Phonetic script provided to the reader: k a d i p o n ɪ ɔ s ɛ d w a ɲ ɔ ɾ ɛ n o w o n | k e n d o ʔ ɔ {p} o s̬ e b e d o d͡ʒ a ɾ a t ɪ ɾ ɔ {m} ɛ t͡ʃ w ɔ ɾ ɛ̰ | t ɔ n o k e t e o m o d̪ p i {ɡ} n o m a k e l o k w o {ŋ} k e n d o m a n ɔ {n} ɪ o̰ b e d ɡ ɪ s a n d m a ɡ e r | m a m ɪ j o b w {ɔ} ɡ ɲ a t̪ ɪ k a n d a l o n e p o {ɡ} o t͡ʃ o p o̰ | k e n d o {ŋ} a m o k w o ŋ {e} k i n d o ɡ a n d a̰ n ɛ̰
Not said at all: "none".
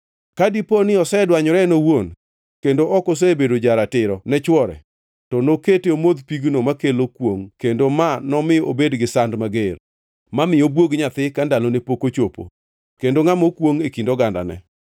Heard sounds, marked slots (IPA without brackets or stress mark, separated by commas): k, n, ɡ, ŋ, m, o, k, ŋ, e